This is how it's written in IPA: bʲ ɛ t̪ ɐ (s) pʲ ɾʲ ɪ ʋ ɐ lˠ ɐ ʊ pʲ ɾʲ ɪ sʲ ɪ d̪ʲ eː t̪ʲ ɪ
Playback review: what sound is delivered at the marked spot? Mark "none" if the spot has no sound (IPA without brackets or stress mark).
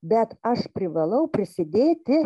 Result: ʃ